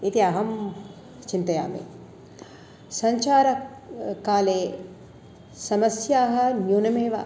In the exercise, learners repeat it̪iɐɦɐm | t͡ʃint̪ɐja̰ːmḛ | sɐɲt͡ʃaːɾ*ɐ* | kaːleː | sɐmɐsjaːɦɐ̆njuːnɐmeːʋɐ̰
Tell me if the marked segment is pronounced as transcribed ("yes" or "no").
yes